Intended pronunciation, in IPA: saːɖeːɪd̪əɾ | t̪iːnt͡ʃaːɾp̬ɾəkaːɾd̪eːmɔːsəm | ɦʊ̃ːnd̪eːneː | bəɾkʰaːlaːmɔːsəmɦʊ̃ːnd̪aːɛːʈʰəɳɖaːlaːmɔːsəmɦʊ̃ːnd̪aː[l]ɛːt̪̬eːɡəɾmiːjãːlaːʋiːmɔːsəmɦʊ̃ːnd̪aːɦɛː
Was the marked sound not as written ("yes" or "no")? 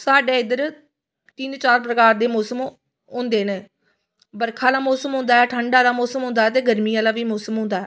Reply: yes